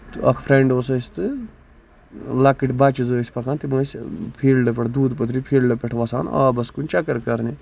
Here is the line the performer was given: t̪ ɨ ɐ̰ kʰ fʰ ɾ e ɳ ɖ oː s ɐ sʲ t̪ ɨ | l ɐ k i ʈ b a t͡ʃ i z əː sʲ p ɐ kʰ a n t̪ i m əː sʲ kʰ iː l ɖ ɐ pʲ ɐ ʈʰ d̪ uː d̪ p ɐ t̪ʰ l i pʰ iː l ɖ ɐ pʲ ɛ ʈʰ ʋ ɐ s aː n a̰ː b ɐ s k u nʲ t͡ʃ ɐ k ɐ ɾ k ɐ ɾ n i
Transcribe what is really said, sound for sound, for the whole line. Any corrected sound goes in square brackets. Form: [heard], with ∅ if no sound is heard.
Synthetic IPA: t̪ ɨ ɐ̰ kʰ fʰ ɾ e ɳ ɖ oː s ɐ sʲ t̪ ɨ | l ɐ k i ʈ b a t͡ʃ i z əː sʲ p ɐ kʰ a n t̪ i m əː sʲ [pʰ] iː l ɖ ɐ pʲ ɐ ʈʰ d̪ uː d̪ p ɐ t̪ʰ [ɾ] i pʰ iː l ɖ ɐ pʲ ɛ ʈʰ ʋ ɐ s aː n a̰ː b ɐ s k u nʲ t͡ʃ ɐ k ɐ ɾ k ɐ ɾ n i

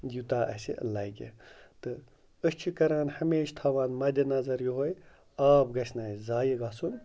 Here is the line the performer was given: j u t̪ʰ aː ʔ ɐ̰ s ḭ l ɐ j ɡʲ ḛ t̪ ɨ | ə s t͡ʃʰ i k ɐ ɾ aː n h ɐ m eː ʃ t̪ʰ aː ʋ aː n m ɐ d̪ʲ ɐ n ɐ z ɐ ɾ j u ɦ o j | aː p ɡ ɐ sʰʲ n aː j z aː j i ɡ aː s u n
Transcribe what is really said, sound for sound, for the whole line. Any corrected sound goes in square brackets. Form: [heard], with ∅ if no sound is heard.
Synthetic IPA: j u [t̪] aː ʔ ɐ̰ s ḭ l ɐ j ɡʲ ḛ t̪ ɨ | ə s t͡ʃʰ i k ɐ ɾ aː n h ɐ m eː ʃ t̪ʰ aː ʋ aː n m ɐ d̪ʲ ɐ n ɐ z ɐ ɾ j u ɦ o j | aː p ɡ ɐ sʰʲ n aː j z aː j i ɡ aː s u n

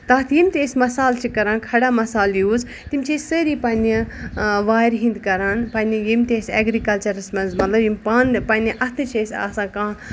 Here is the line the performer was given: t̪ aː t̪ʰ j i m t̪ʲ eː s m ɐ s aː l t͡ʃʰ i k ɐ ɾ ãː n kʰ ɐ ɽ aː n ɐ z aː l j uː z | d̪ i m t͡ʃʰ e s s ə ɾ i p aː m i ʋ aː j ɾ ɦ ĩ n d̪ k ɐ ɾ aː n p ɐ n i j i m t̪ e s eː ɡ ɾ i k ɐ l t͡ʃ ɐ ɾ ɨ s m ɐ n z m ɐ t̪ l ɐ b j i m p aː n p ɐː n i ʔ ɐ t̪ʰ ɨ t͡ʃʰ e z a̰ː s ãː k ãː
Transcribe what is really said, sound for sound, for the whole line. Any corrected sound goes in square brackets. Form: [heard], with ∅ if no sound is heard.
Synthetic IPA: t̪ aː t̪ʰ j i m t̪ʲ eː s m ɐ s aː l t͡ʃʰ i k ɐ ɾ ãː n kʰ ɐ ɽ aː [m] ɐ [s] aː l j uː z | [t̪] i m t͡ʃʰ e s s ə ɾ i p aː [n] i ʋ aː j ɾ ɦ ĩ n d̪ k ɐ ɾ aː n p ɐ n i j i m t̪ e s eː ɡ ɾ i k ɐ l t͡ʃ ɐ ɾ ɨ s m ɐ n z m ɐ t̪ l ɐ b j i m p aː n p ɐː n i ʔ ɐ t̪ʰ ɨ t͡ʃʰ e [s] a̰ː s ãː k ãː

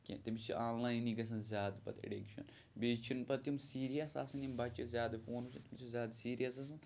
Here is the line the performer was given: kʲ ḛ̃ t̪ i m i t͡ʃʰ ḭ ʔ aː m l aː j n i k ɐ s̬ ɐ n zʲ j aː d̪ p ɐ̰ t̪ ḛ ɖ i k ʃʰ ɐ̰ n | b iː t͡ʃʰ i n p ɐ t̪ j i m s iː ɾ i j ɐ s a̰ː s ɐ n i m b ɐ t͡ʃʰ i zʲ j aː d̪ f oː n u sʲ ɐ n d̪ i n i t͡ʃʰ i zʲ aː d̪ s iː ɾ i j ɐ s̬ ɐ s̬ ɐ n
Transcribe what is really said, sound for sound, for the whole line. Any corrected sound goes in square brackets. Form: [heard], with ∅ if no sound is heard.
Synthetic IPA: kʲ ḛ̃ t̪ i m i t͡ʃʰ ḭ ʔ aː [n] l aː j n i [ɡ] ɐ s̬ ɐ n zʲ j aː d̪ p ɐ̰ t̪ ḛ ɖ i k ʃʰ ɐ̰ n | b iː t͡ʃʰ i n p ɐ t̪ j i m s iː ɾ i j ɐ s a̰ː s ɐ n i m b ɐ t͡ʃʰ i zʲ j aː d̪ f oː n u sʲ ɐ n [t̪] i [m] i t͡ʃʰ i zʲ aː d̪ s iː ɾ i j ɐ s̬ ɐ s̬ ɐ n

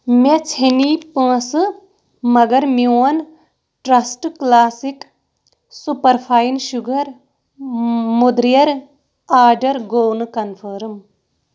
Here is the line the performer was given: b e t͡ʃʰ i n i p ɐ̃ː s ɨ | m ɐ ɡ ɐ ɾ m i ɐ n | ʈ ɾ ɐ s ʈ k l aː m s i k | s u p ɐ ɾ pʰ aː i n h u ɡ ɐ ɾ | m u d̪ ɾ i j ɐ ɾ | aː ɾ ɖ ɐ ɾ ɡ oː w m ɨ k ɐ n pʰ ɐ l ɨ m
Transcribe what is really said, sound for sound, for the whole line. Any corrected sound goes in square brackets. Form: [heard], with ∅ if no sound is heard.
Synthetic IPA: [m] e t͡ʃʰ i n i p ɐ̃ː s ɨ | m ɐ ɡ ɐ ɾ m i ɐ n | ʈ ɾ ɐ s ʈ k l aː [∅] s i k | s u p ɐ ɾ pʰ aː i n [ʃ] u ɡ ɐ ɾ | m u d̪ ɾ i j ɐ ɾ | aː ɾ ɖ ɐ ɾ ɡ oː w [n] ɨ k ɐ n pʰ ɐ [ɾ] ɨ m

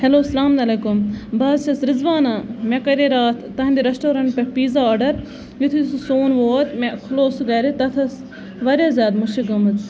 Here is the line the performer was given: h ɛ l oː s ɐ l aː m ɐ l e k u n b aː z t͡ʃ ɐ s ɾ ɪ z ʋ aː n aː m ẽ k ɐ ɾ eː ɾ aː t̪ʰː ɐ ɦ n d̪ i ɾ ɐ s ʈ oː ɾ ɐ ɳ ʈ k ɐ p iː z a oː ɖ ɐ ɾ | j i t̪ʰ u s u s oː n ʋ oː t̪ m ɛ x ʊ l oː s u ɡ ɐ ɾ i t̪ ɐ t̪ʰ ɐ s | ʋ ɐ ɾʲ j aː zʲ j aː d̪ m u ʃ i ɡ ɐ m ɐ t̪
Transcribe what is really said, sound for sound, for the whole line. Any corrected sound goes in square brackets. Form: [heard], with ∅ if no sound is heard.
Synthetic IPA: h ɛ l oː s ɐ l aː m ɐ l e k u [m] b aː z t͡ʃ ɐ s ɾ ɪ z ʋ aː n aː m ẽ k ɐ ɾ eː ɾ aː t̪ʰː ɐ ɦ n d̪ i ɾ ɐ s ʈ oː ɾ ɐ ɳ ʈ [p] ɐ p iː z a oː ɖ ɐ ɾ | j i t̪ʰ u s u s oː n ʋ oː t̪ m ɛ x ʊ l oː s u ɡ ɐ ɾ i t̪ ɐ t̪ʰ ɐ s | ʋ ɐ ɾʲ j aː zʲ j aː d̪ m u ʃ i ɡ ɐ m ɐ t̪

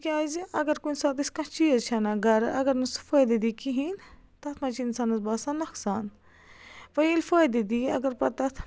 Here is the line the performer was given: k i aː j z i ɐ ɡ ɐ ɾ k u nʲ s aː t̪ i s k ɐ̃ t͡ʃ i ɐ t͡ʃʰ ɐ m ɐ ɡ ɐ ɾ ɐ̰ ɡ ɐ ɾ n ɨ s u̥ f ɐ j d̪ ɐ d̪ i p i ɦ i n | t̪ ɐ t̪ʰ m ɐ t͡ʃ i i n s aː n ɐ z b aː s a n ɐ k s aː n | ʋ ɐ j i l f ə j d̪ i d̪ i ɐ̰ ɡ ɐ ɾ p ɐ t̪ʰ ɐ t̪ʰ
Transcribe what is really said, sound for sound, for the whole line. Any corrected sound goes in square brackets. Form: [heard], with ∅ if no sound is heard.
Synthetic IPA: k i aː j z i ɐ ɡ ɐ ɾ k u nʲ s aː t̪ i s k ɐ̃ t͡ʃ i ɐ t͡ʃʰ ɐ [n] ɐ ɡ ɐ ɾ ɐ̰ ɡ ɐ ɾ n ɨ s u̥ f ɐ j d̪ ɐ d̪ i [k] i ɦ i n | t̪ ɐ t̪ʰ m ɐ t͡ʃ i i n s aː n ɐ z b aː s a n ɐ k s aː n | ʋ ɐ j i l f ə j d̪ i d̪ i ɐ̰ ɡ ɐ ɾ p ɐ [t̪] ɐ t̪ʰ

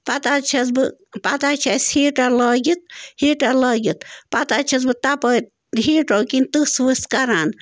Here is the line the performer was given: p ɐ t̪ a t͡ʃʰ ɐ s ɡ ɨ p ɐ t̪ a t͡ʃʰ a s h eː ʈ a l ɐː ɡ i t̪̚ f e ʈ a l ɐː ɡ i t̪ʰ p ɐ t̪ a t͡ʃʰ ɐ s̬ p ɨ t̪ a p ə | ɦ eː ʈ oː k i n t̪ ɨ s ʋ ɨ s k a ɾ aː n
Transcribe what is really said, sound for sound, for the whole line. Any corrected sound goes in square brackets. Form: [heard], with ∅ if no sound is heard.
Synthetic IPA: p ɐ t̪ a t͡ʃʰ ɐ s [b] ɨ p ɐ t̪ a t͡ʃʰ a s h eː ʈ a l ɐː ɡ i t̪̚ [h] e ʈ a l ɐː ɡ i [t̪] p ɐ t̪ a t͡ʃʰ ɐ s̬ [b] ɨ t̪ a p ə | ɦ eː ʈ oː k i n t̪ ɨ s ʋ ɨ s k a ɾ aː n

